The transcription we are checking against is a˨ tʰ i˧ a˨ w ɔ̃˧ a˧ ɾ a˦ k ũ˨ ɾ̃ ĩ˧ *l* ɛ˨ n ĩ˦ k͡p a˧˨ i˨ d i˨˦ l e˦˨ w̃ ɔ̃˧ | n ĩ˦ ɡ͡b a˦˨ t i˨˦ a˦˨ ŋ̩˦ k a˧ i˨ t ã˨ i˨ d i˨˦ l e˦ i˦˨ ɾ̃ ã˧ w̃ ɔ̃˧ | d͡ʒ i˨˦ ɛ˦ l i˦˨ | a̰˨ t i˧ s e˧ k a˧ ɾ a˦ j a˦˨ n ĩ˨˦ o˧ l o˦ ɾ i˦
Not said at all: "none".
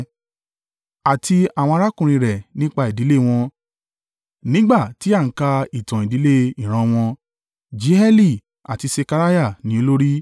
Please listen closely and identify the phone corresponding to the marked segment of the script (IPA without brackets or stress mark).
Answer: ɾ